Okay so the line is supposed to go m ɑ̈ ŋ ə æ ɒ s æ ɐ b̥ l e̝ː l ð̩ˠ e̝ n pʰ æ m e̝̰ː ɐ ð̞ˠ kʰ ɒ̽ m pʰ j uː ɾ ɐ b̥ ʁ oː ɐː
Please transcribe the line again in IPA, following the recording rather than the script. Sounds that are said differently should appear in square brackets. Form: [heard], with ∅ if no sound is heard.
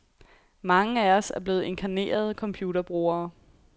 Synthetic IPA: m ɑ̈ ŋ ə æ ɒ s æ ɐ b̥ l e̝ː [∅] ð̩ˠ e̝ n [kʰ] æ [n] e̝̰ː ɐ ð̞ˠ kʰ ɒ̽ m pʰ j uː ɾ ɐ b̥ ʁ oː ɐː